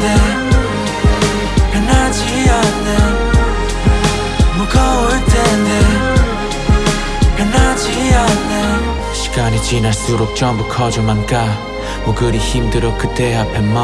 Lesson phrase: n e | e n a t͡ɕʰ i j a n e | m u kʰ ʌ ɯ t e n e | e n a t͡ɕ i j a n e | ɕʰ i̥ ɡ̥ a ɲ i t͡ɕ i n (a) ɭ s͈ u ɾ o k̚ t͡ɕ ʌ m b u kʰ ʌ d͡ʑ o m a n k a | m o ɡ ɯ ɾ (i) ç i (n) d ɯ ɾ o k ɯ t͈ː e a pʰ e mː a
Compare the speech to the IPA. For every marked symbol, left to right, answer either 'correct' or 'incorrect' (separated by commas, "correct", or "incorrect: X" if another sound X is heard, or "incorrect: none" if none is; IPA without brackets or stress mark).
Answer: correct, correct, incorrect: m